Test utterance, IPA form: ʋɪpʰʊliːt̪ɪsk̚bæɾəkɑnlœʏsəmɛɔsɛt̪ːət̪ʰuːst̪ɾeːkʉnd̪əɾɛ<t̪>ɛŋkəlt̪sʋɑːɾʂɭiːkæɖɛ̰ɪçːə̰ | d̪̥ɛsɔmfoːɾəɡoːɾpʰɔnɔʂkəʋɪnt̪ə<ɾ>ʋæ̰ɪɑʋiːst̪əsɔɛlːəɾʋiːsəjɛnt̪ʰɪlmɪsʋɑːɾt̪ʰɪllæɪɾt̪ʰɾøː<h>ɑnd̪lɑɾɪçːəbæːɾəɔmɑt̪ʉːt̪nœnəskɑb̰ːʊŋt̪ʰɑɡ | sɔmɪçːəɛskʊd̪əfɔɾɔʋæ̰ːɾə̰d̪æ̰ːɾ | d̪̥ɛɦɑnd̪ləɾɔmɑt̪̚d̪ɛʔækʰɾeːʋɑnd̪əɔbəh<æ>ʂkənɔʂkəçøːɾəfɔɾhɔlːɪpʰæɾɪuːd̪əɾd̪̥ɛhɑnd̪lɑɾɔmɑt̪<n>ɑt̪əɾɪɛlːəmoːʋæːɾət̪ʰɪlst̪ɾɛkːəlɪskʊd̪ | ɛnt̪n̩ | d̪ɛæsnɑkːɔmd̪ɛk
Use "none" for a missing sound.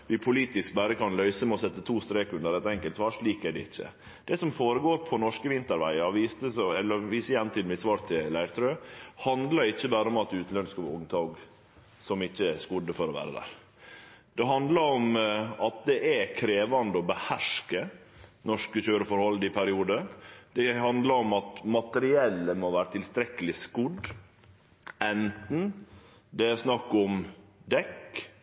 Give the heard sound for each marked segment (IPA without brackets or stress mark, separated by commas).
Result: t̪, ɾ, h, æ, m